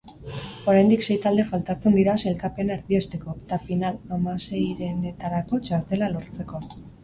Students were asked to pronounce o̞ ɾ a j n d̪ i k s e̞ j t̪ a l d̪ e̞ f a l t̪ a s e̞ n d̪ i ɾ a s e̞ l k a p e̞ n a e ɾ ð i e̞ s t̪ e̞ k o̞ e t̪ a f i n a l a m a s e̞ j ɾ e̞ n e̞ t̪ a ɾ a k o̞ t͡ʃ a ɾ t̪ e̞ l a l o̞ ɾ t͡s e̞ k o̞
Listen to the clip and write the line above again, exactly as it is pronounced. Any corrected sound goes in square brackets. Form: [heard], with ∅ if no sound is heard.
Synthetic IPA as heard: o̞ ɾ a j n d̪ i k s e̞ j t̪ a l d̪ e̞ f a l t̪ a [t͡s] e̞ n d̪ i ɾ a s e̞ l k a p e̞ n a e ɾ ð i e̞ s t̪ e̞ k o̞ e t̪ a f i n a l a m a s e̞ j ɾ e̞ n e̞ t̪ a ɾ a k o̞ t͡ʃ a ɾ t̪ e̞ l a l o̞ ɾ t͡s e̞ k o̞